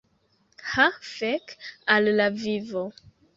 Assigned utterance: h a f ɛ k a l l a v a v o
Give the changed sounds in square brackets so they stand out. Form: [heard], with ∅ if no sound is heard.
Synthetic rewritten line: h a f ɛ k a l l a v [i] v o